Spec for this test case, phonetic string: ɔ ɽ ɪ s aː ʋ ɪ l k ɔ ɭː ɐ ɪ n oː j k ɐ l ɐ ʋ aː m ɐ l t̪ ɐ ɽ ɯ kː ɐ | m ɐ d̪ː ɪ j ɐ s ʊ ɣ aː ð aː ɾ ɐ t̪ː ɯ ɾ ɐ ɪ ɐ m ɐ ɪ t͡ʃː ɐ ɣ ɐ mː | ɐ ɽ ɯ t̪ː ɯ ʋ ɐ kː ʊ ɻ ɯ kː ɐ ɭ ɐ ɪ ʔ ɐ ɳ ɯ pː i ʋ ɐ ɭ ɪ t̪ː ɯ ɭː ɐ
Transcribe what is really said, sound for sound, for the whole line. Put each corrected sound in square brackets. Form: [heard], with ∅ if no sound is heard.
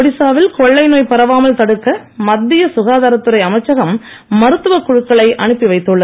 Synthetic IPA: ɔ ɽ ɪ s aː ʋ ɪ l k ɔ ɭː ɐ ɪ n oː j [p] ɐ [ɾ] ɐ ʋ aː m ɐ l t̪ ɐ ɽ ɯ kː ɐ | m ɐ d̪ː ɪ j ɐ s ʊ ɣ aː ð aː ɾ ɐ t̪ː ɯ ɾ ɐ ɪ ɐ m ɐ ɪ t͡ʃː ɐ ɣ ɐ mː | ɐ [ɾ] ɯ t̪ː ɯ ʋ ɐ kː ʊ ɻ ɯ kː ɐ ɭ ɐ ɪ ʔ ɐ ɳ ɯ pː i ʋ ɐ [∅] ɪ t̪ː ɯ ɭː ɐ